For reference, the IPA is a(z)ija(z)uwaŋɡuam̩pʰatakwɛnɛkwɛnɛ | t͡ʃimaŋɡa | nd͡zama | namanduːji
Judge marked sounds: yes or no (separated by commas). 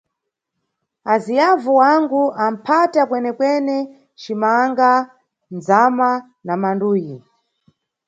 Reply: yes, no